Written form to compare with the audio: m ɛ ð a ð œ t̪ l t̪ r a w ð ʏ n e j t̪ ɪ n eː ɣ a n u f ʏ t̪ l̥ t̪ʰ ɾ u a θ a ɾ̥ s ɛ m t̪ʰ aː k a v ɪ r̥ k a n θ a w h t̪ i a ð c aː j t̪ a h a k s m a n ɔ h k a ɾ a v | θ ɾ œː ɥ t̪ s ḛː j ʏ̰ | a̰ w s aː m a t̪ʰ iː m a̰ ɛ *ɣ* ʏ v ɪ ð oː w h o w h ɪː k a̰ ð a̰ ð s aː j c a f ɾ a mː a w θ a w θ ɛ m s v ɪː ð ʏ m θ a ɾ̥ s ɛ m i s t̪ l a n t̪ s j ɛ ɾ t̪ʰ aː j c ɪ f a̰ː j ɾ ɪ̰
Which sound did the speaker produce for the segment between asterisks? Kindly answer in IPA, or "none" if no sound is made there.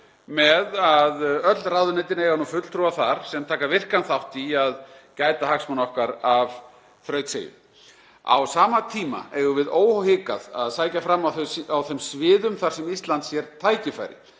ɣ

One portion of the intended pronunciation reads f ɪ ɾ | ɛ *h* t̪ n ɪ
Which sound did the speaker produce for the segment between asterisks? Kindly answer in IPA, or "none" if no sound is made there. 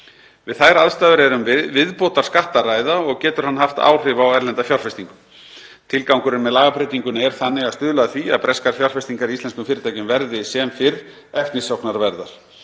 f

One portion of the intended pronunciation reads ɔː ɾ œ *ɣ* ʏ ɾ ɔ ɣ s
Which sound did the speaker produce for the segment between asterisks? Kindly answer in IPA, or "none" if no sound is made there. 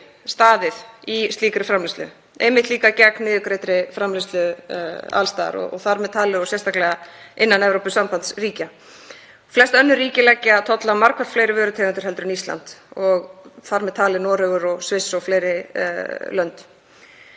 ɣ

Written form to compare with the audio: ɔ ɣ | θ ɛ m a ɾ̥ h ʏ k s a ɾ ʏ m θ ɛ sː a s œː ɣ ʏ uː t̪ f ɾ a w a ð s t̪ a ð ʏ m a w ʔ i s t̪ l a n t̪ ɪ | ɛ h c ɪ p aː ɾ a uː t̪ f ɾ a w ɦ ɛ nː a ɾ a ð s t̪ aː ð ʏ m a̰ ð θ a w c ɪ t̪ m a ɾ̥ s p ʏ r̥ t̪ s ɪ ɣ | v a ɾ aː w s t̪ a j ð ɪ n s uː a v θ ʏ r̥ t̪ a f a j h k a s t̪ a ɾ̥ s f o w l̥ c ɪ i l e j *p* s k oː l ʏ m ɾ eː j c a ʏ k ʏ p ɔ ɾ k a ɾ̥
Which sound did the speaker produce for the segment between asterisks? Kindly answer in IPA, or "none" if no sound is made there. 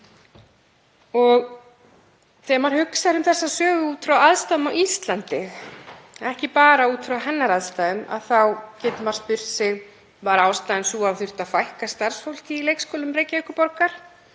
k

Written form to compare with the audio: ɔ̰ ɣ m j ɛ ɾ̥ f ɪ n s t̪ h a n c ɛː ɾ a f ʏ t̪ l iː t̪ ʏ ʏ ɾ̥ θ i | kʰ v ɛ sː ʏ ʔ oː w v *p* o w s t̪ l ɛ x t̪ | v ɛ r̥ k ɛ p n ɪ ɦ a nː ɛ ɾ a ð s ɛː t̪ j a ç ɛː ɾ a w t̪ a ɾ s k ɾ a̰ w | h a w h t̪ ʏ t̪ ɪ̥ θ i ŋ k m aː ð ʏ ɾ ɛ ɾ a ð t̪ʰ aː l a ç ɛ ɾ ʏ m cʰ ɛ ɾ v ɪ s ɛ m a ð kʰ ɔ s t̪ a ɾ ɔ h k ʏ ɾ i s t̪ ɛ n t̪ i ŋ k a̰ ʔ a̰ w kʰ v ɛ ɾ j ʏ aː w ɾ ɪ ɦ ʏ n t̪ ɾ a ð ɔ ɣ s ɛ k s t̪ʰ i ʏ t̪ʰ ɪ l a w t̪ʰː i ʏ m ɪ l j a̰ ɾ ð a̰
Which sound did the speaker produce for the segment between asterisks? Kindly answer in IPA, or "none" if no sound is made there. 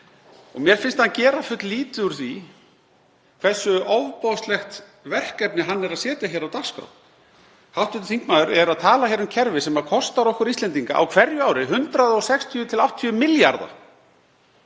p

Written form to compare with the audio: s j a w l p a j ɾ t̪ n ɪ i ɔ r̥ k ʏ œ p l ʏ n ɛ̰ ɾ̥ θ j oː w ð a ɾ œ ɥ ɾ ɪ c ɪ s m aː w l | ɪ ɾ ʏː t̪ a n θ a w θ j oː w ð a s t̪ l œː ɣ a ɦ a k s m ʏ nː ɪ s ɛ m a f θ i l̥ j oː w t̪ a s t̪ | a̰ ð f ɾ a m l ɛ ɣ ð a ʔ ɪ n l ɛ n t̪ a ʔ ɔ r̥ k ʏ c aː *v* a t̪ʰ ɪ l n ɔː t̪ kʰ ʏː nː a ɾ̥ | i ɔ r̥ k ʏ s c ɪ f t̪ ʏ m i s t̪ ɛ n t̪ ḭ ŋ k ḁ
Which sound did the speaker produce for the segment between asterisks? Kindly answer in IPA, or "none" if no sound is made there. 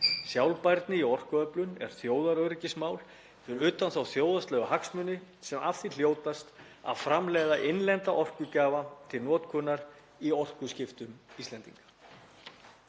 v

